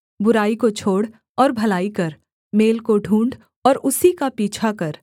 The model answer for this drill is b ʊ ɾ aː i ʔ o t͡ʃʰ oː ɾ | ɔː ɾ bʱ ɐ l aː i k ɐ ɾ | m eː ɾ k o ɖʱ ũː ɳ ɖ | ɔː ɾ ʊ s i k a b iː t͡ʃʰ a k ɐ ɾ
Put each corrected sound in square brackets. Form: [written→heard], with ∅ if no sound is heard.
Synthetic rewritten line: b ʊ ɾ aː i [ʔ→k] o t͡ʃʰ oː [ɾ→ɽ] | ɔː ɾ bʱ ɐ l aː i k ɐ ɾ | m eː [ɾ→l] k o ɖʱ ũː ɳ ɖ | ɔː ɾ ʊ s i k a [b→p] iː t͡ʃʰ a k ɐ ɾ